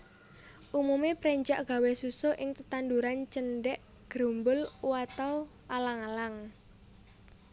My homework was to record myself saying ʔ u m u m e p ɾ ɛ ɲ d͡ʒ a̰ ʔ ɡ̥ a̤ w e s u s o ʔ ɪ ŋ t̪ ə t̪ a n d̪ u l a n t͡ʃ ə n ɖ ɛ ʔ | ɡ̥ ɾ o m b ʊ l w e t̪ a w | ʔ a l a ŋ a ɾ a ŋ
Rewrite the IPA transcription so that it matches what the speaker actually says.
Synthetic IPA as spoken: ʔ u m u m e p ɾ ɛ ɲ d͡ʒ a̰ ʔ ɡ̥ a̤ w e s u s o ʔ ɪ ŋ t̪ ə t̪ a n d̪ u ɾ a n t͡ʃ ə n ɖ ɛ ʔ | ɡ̥ ɾ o m b ʊ l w a t̪ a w | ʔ a l a ŋ a l a ŋ